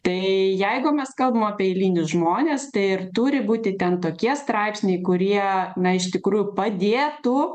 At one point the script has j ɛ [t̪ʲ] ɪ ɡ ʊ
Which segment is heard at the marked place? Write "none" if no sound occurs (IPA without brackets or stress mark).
none